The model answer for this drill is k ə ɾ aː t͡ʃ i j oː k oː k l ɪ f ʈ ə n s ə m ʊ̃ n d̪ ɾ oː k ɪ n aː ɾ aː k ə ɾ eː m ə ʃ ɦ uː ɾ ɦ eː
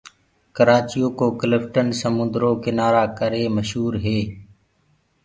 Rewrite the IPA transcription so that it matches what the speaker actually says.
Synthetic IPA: k ə ɾ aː t͡ʃ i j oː k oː k l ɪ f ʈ ə n s ə m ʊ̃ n d̪ ɾ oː k ɪ n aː ɾ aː k ə ɾ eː m ə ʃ ɦ uː ɾ ɦ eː

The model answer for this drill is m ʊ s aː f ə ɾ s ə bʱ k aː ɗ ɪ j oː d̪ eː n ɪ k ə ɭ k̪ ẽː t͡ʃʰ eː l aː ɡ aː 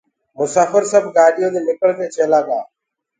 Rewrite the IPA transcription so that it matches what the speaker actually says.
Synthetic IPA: m ʊ s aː f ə ɾ s ə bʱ ɡ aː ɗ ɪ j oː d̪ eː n ɪ k ə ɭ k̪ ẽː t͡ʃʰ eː l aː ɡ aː

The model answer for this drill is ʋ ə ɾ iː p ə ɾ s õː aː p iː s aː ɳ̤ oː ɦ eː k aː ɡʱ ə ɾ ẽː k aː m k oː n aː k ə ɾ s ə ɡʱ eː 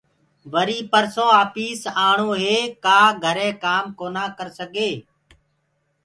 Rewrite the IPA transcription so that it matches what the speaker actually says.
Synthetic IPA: ʋ ə ɾ iː p ə ɾ s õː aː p iː s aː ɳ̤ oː ɦ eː k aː ɡʱ ə ɾ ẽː k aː m k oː n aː k ə ɾ s ə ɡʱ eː

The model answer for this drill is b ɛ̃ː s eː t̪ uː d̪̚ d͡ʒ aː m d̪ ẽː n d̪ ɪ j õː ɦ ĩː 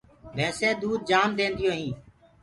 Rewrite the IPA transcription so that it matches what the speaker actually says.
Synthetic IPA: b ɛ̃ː s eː d̪ uː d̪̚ d͡ʒ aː m d̪ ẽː n d̪ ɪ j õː ɦ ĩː

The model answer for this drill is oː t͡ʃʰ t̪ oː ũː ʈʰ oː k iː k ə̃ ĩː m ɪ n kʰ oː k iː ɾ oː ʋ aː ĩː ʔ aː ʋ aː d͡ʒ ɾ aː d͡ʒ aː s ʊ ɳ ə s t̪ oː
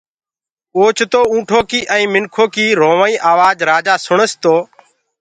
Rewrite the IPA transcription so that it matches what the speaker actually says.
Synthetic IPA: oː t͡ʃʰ t̪ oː ũː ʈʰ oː k iː ʔ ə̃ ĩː m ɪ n kʰ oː k iː ɾ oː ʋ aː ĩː ʔ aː ʋ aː d͡ʒ ɾ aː d͡ʒ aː s ʊ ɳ ə s t̪ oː

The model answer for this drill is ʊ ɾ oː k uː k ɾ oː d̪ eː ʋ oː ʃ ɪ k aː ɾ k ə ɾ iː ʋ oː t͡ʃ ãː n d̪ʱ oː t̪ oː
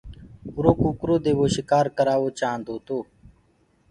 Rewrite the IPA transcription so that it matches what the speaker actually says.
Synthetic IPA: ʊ ɾ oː k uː k ɾ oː d̪ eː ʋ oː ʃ ɪ k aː ɾ k ə ɾ aː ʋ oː t͡ʃ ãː n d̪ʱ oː t̪ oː

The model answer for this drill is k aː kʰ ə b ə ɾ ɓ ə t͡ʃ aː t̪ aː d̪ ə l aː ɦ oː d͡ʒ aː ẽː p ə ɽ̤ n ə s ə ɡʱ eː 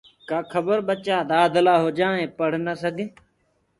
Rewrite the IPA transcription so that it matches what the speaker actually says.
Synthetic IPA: k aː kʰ ə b ə ɾ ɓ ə t͡ʃ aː d̪ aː d̪ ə l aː ɦ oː d͡ʒ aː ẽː p ə ɽ̤ n ə s ə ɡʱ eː

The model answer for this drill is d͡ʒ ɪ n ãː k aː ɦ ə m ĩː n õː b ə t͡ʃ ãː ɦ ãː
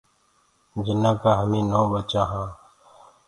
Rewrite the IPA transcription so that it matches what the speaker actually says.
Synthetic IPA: d͡ʒ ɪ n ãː k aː ɦ ə m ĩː n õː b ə t͡ʃ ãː ɦ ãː

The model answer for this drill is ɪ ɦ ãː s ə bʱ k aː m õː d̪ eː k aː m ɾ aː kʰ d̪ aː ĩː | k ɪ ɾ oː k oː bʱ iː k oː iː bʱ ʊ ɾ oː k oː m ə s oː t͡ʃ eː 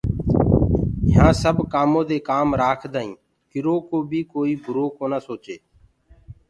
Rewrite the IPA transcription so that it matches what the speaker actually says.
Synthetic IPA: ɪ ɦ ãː s ə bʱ k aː m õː d̪ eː k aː m ɾ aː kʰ d̪ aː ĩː | k ɪ ɾ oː k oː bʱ iː k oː iː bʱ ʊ ɾ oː k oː n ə s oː t͡ʃ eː

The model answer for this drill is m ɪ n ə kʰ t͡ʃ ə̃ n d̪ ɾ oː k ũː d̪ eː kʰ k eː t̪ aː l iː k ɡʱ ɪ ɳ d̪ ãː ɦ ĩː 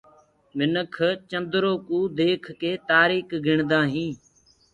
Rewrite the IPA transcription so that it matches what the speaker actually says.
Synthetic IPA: m ɪ n ə kʰ t͡ʃ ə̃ n d̪ ɾ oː k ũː d̪ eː kʰ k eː t̪ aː ɾ iː k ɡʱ ɪ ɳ d̪ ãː ɦ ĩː

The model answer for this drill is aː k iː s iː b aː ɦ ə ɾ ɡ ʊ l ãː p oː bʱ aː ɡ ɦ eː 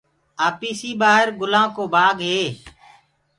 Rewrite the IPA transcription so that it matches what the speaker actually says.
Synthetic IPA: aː p iː s iː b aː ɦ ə ɾ ɡ ʊ l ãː k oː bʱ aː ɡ ɦ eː

